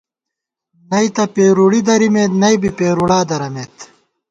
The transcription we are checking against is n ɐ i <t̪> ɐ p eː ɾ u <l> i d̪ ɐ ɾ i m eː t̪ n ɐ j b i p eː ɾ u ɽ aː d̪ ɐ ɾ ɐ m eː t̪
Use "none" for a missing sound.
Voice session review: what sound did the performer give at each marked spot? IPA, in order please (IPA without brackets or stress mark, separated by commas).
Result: t̪, ɽ